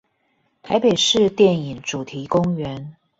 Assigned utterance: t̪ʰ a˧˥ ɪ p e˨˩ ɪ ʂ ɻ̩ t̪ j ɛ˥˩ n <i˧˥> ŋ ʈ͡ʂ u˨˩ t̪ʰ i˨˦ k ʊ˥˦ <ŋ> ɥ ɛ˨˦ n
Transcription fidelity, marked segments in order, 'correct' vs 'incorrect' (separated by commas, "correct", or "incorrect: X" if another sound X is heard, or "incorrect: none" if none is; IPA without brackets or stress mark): incorrect: i˨˩, correct